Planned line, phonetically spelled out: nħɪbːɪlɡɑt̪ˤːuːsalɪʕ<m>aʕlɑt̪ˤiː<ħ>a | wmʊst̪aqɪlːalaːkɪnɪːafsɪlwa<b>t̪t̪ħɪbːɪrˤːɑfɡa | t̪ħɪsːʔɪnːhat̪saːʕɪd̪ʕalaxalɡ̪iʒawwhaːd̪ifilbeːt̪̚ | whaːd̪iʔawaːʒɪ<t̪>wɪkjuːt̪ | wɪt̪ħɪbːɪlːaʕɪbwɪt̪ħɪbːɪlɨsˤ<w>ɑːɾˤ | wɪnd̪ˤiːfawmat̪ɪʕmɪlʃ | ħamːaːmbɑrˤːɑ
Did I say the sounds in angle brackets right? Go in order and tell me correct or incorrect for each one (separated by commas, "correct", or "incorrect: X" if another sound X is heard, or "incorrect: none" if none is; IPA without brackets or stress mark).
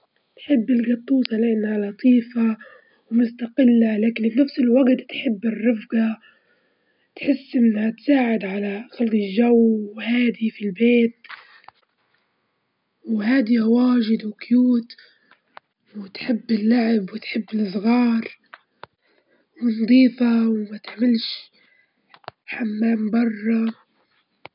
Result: incorrect: n, incorrect: f, incorrect: ɡ, incorrect: d̪, incorrect: ɣ